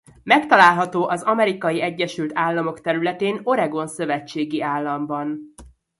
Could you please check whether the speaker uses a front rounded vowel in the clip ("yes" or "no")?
yes